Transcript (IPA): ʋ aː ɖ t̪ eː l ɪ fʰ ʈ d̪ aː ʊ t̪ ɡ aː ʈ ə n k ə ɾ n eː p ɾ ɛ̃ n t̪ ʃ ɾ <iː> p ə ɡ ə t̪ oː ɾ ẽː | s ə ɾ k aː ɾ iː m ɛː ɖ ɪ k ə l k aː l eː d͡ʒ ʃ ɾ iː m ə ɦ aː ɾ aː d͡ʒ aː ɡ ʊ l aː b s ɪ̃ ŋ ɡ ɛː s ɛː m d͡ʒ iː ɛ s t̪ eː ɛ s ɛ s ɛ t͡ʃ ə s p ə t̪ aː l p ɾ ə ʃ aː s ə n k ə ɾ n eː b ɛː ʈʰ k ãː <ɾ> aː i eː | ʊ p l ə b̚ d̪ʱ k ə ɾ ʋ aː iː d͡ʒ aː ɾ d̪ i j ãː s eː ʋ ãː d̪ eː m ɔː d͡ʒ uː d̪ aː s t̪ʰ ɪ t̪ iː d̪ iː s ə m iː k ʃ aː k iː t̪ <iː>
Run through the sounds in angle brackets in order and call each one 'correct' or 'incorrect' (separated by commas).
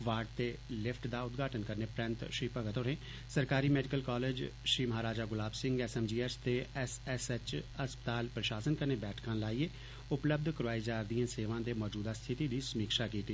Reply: correct, incorrect, correct